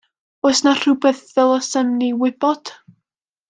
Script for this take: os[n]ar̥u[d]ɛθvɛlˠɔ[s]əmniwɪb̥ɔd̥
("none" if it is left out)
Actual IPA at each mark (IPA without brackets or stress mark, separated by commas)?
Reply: n, b, s